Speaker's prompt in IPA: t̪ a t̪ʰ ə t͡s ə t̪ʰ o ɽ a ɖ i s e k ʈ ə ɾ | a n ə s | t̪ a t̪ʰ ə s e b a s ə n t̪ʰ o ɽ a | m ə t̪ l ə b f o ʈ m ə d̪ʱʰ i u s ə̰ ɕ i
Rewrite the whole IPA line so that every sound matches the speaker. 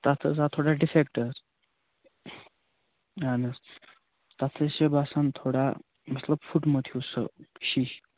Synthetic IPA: t̪ a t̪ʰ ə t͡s a t̪ʰ o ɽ a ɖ i f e k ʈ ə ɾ | a n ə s | t̪ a t̪ʰ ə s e b a s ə n t̪ʰ o ɽ a | m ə t̪ l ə b f u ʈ m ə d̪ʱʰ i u s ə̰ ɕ i